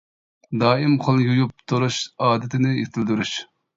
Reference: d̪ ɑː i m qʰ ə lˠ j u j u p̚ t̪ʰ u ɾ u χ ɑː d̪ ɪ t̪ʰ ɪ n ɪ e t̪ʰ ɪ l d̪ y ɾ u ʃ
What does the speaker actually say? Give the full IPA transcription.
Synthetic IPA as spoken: d̪ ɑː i m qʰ ə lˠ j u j u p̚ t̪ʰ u ɾ u ʃ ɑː d̪ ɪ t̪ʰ ɪ n ɪ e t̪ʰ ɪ l d̪ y ɾ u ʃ